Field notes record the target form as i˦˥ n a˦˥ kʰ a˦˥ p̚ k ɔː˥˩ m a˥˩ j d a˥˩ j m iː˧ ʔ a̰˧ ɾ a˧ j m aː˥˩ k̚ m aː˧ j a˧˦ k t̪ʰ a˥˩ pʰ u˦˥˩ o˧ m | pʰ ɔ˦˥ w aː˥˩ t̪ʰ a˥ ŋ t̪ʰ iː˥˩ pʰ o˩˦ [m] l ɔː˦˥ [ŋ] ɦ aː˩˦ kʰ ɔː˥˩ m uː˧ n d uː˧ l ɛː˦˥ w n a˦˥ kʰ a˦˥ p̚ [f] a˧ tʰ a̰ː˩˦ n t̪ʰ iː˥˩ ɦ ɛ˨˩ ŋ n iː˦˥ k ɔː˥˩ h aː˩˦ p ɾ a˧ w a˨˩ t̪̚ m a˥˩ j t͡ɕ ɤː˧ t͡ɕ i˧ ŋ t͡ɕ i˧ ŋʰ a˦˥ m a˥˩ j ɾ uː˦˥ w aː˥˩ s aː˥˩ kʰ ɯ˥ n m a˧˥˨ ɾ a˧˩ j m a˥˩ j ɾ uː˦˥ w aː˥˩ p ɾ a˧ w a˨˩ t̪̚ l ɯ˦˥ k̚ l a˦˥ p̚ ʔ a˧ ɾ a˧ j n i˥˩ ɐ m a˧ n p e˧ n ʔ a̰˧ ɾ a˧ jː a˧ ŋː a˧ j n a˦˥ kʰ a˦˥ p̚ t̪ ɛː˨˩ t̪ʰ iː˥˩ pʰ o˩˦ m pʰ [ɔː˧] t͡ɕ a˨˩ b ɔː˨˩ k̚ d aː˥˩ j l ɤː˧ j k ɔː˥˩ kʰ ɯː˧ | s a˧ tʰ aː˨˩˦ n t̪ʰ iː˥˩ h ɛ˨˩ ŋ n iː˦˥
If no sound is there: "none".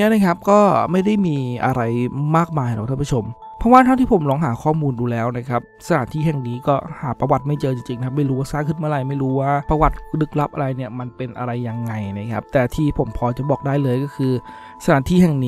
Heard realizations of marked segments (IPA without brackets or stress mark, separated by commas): m, ŋ, s, ɔː˧